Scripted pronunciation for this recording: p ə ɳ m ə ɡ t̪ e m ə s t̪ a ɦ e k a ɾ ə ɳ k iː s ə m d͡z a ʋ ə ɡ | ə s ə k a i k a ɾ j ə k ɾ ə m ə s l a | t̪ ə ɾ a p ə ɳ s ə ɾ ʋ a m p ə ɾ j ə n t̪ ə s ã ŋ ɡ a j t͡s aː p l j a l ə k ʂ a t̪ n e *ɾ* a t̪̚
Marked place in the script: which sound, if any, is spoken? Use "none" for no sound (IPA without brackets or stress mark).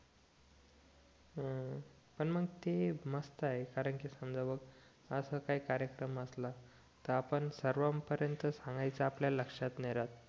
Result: ɾ